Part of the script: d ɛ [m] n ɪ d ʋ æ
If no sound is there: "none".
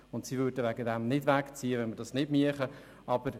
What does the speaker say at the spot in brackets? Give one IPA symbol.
m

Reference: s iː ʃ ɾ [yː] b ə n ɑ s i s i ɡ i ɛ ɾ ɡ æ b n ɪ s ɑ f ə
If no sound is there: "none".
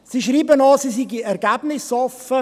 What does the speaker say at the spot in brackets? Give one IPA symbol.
iː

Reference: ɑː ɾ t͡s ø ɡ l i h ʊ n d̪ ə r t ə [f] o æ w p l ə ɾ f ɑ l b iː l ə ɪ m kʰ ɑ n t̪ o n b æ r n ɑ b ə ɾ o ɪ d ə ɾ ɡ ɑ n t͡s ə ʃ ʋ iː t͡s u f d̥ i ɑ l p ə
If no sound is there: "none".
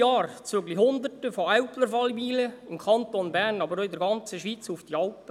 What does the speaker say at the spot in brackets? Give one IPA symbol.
f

